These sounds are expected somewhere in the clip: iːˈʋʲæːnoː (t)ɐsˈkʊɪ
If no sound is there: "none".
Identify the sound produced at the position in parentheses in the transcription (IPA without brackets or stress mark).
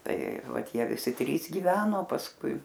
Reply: p